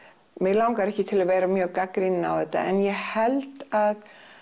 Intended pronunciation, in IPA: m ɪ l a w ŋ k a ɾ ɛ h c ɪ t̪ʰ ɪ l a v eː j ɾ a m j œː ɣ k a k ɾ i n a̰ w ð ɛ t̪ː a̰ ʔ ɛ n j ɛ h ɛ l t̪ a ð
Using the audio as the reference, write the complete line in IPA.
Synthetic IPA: m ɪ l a w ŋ k a ɾ ɛ h c ɪ t̪ʰ ɪ l a v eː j ɾ a m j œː ɣ k a k ɾ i n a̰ w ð ɛ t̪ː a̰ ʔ ɛ n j ɛ h ɛ l t̪ a ð